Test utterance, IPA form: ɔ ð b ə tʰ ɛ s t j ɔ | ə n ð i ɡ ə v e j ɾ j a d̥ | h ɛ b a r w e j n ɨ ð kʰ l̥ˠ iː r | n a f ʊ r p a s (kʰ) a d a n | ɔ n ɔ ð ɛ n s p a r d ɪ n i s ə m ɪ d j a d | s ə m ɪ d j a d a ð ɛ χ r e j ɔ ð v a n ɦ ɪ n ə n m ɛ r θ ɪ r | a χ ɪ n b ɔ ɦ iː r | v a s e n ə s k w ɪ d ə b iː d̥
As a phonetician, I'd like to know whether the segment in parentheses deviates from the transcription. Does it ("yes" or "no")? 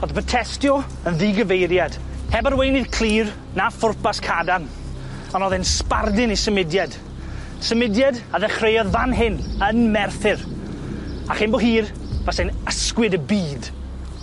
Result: no